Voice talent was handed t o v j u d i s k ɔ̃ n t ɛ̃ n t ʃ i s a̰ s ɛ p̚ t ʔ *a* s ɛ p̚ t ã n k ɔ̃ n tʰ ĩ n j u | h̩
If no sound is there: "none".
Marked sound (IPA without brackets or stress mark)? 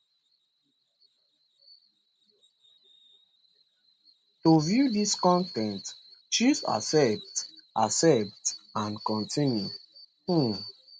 a